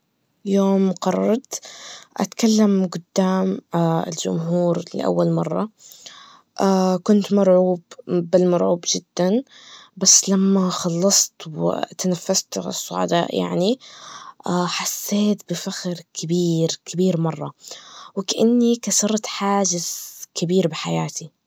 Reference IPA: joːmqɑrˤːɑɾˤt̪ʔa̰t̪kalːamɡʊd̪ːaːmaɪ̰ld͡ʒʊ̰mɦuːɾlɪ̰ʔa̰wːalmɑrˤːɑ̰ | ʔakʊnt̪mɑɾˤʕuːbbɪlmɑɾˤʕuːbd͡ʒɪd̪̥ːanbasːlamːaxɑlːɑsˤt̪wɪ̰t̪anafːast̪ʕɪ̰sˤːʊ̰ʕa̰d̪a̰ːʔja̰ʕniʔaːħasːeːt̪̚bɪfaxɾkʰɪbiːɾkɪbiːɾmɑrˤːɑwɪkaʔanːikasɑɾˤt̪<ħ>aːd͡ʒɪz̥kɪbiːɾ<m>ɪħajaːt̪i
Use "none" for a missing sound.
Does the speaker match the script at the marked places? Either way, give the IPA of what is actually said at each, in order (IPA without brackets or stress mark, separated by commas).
ħ, b